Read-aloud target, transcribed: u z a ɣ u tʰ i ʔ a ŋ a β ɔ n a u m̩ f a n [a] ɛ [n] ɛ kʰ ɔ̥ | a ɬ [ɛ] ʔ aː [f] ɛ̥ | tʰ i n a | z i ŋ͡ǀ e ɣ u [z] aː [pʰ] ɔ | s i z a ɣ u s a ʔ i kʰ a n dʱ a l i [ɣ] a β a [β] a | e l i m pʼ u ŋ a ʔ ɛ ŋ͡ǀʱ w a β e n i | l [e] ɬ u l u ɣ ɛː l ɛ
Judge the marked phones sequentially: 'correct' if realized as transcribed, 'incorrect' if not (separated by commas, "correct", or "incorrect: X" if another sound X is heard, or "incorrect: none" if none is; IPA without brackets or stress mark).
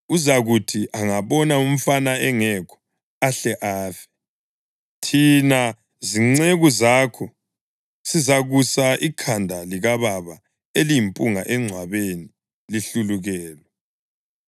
correct, incorrect: ŋ, correct, correct, correct, incorrect: kʰ, correct, correct, incorrect: i